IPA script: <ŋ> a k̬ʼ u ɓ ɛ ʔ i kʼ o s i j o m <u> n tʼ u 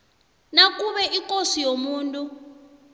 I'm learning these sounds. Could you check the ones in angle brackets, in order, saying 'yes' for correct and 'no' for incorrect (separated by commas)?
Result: no, no